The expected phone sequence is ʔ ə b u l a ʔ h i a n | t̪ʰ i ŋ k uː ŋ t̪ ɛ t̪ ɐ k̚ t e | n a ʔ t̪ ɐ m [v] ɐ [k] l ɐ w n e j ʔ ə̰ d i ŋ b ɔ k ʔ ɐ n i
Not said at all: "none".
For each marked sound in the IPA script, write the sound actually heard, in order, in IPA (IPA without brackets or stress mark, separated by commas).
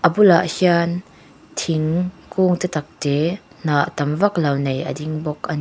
v, k